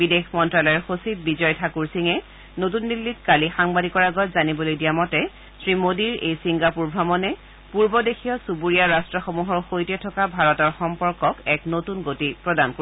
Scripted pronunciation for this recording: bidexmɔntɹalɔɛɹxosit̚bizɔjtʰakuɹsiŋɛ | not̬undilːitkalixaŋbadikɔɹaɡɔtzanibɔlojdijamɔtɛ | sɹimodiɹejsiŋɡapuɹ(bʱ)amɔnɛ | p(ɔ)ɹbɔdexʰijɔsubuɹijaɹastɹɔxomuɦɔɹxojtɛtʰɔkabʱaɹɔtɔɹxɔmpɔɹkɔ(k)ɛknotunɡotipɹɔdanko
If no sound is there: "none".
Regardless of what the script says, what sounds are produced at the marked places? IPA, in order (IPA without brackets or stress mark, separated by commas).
bʱ, u, k